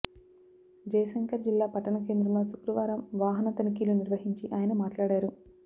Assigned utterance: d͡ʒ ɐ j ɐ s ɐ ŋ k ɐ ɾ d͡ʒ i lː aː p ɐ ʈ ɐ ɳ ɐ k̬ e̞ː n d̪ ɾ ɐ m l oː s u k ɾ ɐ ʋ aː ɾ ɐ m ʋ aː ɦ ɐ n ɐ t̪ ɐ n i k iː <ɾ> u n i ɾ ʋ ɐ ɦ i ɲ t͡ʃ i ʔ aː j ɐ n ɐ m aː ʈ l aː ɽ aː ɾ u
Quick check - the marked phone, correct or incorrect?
incorrect